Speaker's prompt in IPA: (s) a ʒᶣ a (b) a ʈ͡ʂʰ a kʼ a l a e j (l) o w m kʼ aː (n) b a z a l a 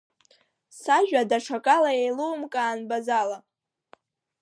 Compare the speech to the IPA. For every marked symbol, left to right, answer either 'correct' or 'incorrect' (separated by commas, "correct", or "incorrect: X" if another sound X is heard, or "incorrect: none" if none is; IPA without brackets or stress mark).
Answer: correct, incorrect: d, correct, correct